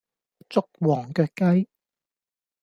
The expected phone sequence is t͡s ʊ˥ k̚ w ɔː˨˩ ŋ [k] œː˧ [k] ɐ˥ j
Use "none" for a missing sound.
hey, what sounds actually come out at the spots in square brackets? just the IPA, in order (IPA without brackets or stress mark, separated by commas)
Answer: k, k